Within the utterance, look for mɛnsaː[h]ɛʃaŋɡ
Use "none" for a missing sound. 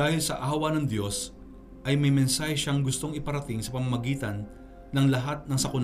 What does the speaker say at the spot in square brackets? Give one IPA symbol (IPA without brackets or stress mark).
h